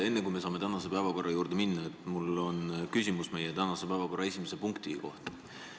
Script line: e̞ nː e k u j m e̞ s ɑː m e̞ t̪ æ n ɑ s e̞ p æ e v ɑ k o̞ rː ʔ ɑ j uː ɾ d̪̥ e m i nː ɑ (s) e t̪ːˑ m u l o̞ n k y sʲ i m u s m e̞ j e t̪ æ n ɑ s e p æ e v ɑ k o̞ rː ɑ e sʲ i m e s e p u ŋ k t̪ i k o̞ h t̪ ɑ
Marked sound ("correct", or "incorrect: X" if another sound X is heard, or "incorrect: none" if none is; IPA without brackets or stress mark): incorrect: none